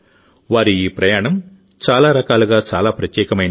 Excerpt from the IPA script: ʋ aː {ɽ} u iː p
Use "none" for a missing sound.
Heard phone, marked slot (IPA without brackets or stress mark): ɾ